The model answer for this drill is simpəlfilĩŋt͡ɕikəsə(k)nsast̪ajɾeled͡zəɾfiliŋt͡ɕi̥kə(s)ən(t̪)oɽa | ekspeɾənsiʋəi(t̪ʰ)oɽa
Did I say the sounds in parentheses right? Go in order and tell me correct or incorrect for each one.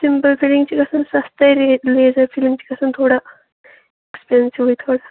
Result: incorrect: none, correct, incorrect: t̪ʰ, correct

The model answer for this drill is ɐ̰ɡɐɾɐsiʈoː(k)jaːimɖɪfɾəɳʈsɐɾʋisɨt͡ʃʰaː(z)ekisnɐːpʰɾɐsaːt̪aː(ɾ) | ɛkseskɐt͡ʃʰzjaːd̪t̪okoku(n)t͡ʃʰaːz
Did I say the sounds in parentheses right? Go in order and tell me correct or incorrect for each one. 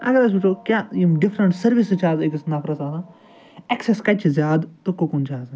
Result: correct, correct, incorrect: none, correct

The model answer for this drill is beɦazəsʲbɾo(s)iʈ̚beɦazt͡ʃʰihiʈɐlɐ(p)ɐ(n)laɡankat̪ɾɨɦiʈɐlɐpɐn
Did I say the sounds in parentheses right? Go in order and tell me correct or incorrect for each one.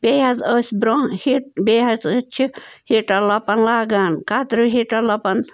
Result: incorrect: h, correct, correct

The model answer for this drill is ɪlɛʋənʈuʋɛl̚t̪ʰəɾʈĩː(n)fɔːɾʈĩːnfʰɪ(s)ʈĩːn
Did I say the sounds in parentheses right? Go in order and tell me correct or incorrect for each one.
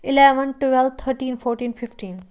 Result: correct, incorrect: f

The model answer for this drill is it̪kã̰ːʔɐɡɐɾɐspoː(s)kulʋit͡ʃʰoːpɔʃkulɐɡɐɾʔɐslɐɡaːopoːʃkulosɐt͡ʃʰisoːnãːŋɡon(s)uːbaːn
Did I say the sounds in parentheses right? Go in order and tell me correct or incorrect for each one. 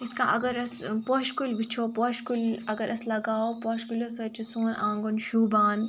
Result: incorrect: ʃ, incorrect: ʃ

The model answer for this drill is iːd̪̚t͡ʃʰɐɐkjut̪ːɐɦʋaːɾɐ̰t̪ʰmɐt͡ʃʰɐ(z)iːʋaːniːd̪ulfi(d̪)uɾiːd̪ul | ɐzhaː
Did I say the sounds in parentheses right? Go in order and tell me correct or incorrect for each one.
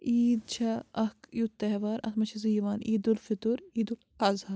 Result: correct, incorrect: t̪

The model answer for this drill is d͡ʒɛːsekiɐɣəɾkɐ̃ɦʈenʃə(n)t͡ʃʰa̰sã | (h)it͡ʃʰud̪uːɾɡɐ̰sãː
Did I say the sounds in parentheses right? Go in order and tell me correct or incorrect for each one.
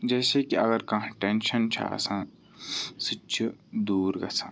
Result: correct, incorrect: s

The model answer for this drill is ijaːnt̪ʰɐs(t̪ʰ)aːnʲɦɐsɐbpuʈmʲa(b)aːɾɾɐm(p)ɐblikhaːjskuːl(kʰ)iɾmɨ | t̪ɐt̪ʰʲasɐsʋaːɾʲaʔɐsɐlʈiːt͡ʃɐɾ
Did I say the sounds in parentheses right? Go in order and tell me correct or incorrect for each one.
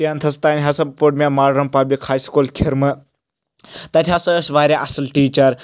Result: incorrect: t̪, incorrect: m, correct, correct

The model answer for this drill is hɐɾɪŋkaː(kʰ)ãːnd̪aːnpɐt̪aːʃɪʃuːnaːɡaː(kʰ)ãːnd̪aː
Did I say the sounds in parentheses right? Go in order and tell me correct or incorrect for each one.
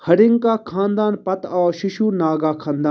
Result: correct, correct

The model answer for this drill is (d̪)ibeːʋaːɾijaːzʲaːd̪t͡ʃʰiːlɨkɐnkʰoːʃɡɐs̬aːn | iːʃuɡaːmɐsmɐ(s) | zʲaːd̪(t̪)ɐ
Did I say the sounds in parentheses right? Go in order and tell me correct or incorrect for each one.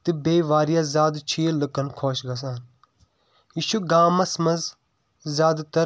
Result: incorrect: t̪, incorrect: z, correct

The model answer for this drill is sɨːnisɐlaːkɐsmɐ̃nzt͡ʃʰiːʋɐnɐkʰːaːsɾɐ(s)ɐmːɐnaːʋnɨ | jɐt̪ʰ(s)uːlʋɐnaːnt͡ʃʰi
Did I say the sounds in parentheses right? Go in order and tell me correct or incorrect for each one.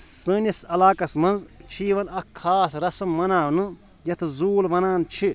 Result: correct, incorrect: z

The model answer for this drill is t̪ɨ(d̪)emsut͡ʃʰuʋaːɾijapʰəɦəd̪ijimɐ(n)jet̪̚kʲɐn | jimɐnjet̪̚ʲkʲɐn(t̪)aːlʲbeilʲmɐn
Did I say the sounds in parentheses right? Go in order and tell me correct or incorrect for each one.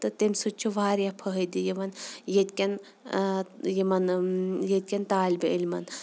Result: incorrect: t̪, correct, correct

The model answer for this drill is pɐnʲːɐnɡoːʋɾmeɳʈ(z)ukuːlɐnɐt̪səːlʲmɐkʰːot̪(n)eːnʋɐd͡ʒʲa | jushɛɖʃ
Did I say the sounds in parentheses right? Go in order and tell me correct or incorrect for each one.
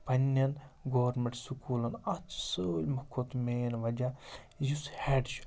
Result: incorrect: s, incorrect: m

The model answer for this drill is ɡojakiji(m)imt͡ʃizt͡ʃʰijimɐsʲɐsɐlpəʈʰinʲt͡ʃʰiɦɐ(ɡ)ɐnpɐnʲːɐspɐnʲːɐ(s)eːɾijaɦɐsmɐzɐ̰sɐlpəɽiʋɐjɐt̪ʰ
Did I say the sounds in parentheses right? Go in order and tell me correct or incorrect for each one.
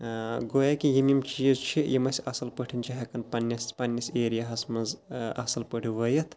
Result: correct, incorrect: k, correct

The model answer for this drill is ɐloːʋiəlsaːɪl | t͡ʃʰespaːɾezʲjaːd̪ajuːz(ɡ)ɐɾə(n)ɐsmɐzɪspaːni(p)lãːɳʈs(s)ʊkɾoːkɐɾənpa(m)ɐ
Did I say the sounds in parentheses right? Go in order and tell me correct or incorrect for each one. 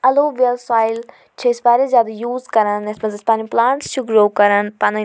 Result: incorrect: k, correct, correct, incorrect: ʃ, incorrect: n

